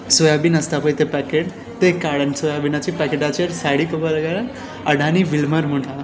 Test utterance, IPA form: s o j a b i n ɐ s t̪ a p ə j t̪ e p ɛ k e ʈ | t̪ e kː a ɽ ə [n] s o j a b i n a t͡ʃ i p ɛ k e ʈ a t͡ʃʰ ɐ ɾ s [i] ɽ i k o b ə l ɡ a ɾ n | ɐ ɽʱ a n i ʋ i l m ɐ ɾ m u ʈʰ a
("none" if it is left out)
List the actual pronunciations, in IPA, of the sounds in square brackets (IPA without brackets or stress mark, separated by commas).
n, a